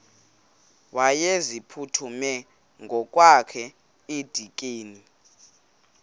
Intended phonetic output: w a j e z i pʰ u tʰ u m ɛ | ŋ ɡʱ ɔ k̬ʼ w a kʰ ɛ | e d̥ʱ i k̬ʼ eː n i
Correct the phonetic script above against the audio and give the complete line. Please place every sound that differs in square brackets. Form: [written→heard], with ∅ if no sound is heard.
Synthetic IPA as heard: w a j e z i pʰ u tʰ u m ɛ | ŋ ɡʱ ɔ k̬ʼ w a kʰ ɛ | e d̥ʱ i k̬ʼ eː n i